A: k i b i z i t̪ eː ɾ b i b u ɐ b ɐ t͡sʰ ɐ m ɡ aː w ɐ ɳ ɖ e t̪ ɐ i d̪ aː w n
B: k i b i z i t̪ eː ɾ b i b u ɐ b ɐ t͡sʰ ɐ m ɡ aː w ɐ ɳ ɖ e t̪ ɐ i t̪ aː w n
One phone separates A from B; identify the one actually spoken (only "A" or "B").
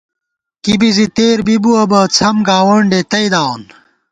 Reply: A